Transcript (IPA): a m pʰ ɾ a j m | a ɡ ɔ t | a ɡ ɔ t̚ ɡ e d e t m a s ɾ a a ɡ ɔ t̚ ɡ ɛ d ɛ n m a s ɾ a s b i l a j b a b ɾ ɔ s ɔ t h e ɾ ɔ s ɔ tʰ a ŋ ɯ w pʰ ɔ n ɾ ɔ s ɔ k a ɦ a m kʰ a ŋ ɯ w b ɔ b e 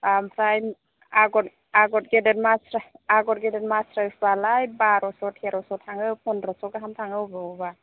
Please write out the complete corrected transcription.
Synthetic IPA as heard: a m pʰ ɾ a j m | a ɡ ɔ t | a ɡ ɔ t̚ ɡ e d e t m a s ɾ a a ɡ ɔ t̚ ɡ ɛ d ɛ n m a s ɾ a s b a l a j b a ɾ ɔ s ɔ t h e ɾ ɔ s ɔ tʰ a ŋ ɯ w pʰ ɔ n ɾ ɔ s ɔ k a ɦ a m tʰ a ŋ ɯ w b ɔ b a

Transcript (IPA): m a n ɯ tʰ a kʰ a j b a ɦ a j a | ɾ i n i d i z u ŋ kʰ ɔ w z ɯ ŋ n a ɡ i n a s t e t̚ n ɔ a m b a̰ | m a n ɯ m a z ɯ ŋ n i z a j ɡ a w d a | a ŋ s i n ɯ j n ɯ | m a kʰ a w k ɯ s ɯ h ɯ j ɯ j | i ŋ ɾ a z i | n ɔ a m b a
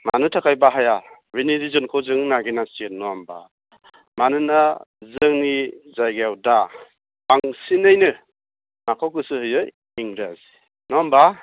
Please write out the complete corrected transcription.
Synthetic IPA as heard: m a n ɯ tʰ a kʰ a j b a ɦ a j a | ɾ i n i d i z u n kʰ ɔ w z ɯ ŋ n a ɡ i n a s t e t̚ n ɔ a m b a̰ | m a n ɯ n a z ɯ ŋ n i z a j ɡ a w d a | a ŋ s i n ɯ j n ɯ | m a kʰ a w k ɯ s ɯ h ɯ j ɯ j | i ŋ ɾ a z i | n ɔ a m b a

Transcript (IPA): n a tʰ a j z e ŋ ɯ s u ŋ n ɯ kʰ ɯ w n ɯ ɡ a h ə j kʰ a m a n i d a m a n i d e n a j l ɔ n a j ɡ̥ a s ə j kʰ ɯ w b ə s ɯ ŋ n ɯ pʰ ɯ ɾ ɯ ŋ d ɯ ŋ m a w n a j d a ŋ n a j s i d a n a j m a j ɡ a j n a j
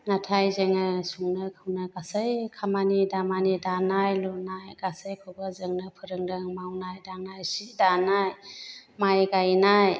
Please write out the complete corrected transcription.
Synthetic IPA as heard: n a tʰ a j z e ŋ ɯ s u ŋ n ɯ kʰ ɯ w n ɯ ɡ a s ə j kʰ a m a n i d a m a n i d a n a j l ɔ n a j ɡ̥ a s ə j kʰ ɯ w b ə z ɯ ŋ n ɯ pʰ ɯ ɾ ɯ ŋ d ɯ ŋ m a w n a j d a ŋ n a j s i d a n a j m a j ɡ a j n a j

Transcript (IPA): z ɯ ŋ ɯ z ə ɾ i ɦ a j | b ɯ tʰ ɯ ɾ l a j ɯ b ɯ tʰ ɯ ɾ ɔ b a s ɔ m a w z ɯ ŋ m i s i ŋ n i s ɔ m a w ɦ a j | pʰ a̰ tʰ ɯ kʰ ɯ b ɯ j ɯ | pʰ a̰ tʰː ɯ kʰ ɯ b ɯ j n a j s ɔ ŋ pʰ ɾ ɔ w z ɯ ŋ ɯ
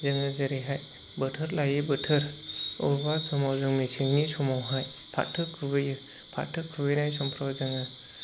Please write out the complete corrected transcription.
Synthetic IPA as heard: z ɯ ŋ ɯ z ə ɾ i ɦ a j | b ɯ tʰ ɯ ɾ l a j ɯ b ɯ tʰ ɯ ɾ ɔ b a s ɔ m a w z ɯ ŋ m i s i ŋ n i s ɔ m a w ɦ a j | pʰ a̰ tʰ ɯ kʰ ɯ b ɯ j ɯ | pʰ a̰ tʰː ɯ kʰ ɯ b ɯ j n a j s ɔ m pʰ ɾ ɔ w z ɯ ŋ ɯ

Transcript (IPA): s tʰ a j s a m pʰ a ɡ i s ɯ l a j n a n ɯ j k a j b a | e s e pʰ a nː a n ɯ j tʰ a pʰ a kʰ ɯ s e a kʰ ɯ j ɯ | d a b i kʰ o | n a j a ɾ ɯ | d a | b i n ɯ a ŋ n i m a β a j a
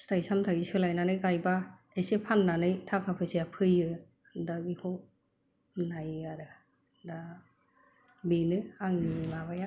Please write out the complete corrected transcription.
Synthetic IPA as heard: s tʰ a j s a m tʰ a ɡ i s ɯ l a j n a n ɯ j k a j b a | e s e pʰ a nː a n ɯ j tʰ a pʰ a pʰ ɯ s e a pʰ ɯ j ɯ | d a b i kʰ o | n a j a ɾ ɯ | d a | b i n ɯ a ŋ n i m a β a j a

